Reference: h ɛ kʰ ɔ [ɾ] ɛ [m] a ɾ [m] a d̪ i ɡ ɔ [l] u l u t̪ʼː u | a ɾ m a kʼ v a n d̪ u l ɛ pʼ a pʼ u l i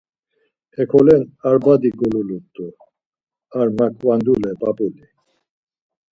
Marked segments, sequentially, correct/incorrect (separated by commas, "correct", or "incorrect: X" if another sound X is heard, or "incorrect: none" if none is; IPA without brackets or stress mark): incorrect: l, incorrect: n, incorrect: b, correct